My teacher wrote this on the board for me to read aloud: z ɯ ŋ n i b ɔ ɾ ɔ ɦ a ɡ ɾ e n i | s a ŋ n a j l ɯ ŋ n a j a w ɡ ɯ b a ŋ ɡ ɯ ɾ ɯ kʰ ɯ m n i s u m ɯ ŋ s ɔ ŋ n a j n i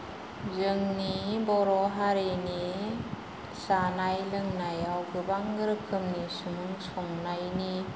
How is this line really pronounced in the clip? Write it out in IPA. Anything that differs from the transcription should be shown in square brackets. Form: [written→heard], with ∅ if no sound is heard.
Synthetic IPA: z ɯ ŋ n i b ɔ ɾ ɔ ɦ a [ɡ→∅] ɾ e n i | s a [ŋ→∅] n a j l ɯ ŋ n a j a w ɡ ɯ b a ŋ ɡ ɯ ɾ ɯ kʰ ɯ m n i s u m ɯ ŋ s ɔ ŋ n a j n i